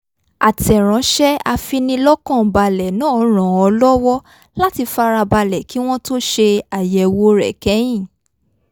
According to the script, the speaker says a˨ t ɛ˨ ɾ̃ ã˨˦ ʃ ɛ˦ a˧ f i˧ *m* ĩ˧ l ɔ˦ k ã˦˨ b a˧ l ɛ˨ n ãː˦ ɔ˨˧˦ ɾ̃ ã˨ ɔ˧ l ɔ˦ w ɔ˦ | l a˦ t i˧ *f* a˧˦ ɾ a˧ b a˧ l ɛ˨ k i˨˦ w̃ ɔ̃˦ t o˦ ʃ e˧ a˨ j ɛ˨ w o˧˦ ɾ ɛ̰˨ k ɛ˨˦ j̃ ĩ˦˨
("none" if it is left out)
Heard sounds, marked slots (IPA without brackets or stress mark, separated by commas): n, f